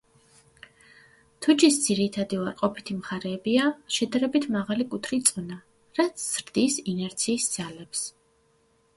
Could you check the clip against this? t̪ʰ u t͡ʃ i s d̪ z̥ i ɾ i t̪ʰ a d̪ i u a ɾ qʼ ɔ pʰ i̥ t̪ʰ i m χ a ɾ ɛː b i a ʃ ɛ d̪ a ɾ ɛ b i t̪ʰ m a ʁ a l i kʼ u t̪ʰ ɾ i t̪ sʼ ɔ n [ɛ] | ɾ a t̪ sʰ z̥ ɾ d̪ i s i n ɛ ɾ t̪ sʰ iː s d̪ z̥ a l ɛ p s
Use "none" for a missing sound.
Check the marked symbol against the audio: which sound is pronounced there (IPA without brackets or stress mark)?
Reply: a